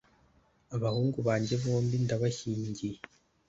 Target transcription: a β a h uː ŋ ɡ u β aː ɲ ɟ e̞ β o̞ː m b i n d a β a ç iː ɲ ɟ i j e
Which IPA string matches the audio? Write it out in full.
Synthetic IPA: a β a h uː ŋ ɡ u β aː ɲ ɟ e̞ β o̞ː m b i n d a β a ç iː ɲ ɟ i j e